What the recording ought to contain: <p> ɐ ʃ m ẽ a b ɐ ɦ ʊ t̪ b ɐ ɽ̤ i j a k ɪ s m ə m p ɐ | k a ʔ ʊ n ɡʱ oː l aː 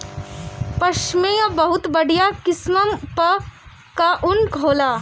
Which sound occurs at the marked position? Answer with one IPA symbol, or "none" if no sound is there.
p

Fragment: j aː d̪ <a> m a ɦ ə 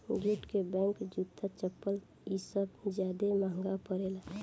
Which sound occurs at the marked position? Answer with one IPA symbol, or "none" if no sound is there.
e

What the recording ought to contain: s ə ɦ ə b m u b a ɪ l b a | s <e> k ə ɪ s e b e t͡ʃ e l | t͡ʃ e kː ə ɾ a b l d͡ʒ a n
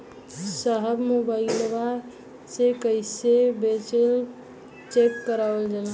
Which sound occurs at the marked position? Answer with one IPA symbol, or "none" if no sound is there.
e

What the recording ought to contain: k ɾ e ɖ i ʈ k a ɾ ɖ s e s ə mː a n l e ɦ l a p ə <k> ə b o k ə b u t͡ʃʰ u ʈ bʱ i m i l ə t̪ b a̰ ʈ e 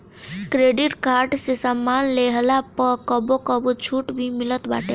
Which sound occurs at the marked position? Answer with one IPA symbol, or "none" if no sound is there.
k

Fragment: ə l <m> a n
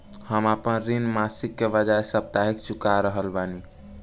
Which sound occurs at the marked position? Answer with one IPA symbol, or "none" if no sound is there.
b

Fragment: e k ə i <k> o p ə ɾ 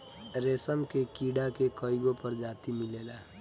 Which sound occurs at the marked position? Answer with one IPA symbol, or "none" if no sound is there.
ɡ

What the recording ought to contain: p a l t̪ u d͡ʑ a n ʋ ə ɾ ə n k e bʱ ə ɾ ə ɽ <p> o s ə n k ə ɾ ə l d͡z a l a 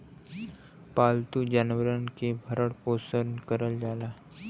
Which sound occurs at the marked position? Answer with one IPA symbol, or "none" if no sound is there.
p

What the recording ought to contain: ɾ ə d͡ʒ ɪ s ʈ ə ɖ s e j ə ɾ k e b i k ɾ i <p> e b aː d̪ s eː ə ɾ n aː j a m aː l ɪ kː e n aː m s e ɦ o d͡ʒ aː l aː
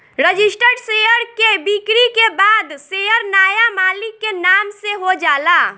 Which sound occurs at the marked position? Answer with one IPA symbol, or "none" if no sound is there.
k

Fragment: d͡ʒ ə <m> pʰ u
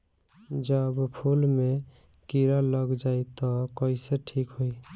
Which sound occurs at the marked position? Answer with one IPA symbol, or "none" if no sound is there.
b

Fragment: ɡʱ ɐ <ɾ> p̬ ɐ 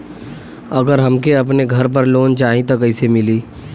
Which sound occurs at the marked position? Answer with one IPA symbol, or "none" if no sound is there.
ɾ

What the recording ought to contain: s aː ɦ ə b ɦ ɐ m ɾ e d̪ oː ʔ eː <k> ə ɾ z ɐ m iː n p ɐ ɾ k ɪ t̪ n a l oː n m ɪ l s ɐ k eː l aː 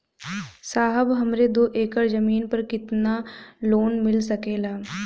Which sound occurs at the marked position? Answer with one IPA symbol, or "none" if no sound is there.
k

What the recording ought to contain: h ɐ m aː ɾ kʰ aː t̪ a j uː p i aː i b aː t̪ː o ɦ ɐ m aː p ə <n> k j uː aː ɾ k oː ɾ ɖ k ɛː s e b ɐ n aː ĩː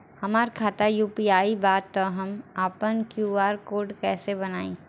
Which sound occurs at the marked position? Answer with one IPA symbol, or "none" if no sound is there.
n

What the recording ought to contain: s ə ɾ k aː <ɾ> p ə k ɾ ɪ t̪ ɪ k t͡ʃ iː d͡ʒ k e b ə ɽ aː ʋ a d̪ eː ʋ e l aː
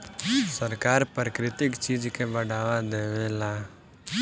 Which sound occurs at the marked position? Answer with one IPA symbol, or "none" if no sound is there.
ɾ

